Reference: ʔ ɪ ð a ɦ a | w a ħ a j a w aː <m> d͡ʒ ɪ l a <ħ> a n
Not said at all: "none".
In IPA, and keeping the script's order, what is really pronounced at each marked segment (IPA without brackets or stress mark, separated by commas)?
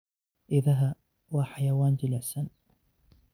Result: n, s